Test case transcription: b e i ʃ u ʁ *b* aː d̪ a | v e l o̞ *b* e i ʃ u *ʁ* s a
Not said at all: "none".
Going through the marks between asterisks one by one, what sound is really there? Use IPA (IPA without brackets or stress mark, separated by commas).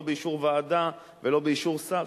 v, b, ʁ